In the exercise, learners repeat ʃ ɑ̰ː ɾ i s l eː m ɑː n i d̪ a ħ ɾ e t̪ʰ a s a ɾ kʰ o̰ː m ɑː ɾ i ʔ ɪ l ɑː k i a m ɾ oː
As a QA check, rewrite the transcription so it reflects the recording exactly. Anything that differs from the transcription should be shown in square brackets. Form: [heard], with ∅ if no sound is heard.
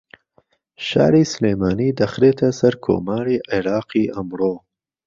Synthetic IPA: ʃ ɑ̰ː ɾ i s l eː m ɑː n i d̪ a [x] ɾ e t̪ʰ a s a ɾ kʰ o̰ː m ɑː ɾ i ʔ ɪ [ɾ] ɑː [q] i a m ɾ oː